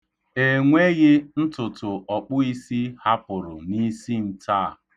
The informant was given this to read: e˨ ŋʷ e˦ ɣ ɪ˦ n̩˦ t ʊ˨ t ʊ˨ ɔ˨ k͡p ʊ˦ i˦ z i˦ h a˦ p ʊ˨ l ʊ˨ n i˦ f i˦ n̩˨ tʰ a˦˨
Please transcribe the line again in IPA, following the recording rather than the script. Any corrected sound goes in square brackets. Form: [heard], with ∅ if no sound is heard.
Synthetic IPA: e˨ ŋʷ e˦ ɣ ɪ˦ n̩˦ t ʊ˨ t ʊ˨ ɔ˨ k͡p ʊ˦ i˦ [s] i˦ h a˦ p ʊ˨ [ɾ] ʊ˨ n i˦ [s] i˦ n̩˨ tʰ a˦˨